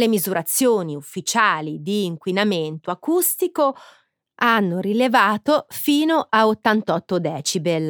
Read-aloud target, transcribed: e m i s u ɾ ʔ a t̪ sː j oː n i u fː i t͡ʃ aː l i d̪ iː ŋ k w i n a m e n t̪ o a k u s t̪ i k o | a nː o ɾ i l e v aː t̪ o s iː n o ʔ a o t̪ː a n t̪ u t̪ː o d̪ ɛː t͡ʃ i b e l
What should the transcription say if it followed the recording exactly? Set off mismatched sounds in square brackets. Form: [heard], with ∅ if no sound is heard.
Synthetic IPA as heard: e m i [z] u ɾ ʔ a t̪ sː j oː n i u fː i t͡ʃ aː l i d̪ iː ŋ k w i n a m e n t̪ o a k u s t̪ i k o | a nː o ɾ i l e v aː t̪ o [f] iː n o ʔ a o t̪ː a n t̪ [ɔ] t̪ː o d̪ ɛː t͡ʃ i b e l